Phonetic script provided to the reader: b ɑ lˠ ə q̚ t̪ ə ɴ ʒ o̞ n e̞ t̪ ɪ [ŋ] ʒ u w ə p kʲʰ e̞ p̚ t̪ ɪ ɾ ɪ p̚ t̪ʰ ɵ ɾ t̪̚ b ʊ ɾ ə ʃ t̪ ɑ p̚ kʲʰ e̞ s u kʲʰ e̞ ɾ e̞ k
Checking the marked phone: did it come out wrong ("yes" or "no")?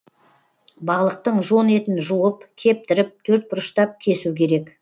yes